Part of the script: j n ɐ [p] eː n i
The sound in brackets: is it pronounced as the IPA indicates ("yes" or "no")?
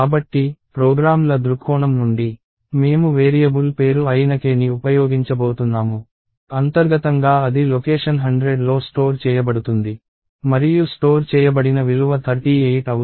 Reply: no